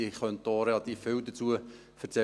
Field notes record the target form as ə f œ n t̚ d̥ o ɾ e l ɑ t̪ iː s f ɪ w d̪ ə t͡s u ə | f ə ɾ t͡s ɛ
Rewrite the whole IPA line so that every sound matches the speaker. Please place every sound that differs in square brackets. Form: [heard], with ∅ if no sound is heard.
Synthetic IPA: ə [χ] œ n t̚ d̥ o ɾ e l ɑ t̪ iː [f] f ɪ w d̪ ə t͡s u ə | f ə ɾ t͡s ɛ